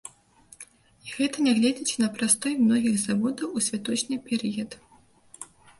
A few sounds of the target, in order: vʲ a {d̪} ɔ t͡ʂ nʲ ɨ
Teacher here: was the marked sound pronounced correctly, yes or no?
no